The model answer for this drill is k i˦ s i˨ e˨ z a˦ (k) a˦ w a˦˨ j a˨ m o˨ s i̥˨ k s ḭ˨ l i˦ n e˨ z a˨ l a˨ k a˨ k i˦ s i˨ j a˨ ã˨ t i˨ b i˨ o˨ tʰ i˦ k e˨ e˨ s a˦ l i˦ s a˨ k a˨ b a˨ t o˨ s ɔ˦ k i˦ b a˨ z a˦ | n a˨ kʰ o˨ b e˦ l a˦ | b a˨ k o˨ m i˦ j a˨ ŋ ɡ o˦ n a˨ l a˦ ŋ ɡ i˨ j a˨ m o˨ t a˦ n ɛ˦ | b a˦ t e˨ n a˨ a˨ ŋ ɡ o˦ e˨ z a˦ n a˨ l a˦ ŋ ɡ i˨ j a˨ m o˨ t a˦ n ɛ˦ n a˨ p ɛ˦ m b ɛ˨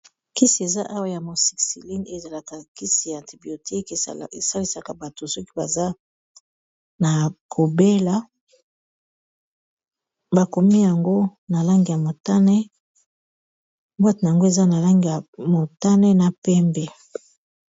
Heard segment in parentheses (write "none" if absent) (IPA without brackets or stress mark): ʔ